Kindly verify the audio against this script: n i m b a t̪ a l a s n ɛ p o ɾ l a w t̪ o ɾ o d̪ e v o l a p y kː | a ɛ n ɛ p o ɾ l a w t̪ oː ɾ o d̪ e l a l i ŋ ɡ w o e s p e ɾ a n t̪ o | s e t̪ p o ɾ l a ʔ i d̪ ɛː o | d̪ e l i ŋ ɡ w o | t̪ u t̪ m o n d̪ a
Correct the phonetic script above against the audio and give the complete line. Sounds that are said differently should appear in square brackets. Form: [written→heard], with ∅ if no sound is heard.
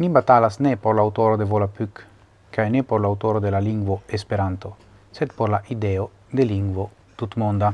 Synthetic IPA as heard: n i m b a t̪ a l a s n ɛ p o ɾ l a w t̪ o ɾ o d̪ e v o l a p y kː | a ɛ n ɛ p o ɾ l a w t̪ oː ɾ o d̪ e l a l i ŋ ɡ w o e s p e ɾ a n t̪ o | s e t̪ p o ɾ l a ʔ i d̪ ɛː o | d̪ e l i ŋ ɡ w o | t̪ u t̪ m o n d̪ a